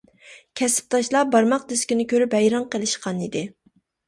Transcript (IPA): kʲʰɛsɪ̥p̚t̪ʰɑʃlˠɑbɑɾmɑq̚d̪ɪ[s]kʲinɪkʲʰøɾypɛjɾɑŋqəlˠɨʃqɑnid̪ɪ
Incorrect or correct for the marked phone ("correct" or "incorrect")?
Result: correct